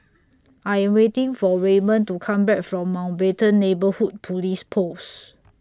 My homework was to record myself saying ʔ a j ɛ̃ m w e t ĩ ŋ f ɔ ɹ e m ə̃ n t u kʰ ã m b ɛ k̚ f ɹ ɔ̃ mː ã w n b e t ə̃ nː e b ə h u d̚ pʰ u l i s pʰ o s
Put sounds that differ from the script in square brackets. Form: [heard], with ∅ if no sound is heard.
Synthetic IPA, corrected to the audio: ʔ a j ɛ̃ m w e t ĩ ŋ f ɔ ɹ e m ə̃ n t u kʰ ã m b ɛ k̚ f ɹ ɔ̃ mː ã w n b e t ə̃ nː e b ə h u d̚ pʰ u l i s pʰ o s